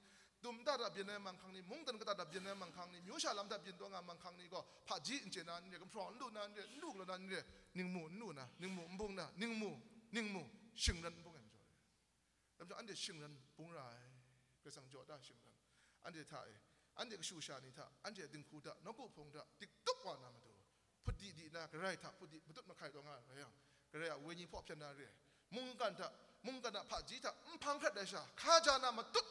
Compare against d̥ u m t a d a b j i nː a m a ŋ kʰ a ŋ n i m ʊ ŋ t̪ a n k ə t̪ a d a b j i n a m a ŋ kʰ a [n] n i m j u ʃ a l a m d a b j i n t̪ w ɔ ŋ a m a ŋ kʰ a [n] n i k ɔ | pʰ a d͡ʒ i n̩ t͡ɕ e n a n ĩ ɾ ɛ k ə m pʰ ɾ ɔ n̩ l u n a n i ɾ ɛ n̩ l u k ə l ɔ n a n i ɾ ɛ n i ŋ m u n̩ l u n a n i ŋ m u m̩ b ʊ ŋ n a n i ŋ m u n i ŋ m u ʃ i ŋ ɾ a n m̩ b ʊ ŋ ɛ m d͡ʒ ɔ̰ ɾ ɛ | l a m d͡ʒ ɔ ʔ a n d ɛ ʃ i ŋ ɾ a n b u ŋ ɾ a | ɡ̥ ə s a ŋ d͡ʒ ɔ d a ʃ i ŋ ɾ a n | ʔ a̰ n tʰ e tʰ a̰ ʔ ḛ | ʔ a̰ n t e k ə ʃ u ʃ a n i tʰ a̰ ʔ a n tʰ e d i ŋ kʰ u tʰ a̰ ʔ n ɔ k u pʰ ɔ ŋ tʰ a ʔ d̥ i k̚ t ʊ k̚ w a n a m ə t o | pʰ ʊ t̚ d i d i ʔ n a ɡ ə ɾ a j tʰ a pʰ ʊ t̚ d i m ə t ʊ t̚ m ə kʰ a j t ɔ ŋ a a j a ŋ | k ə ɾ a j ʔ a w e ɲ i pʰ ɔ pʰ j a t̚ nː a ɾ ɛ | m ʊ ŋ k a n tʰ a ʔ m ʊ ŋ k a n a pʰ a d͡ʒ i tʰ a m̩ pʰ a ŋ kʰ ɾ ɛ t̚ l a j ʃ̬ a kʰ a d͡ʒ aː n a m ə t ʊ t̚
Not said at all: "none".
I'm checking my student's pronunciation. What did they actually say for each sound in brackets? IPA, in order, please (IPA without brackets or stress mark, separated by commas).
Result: ŋ, ŋ